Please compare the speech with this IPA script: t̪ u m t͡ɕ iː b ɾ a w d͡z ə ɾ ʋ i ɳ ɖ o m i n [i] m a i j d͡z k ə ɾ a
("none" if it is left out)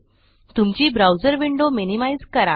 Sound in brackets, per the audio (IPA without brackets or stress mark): i